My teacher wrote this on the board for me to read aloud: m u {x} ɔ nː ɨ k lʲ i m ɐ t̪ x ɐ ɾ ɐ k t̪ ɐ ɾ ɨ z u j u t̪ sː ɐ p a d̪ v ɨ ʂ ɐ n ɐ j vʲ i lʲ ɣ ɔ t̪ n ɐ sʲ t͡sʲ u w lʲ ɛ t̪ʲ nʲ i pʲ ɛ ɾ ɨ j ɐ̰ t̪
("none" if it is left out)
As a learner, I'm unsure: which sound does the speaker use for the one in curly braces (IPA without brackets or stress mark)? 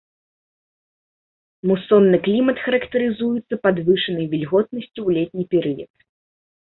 s